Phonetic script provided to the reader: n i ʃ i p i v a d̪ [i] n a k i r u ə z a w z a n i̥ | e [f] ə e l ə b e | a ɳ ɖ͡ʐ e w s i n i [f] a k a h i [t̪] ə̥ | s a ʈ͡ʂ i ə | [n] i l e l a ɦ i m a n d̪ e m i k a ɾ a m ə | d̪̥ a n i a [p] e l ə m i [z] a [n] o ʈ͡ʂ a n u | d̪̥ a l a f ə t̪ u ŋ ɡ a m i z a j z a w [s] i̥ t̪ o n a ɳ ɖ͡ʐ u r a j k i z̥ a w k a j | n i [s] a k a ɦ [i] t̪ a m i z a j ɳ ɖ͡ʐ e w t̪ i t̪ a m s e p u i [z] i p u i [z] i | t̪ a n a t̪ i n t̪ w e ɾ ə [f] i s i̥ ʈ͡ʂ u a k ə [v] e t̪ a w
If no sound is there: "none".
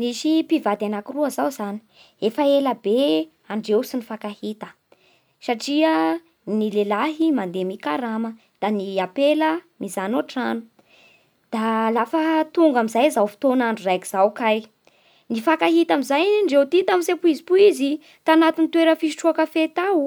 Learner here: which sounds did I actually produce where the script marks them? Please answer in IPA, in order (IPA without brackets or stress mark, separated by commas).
a, f, f, t̪, n, p, z, n, f, f, i, z, z, f, f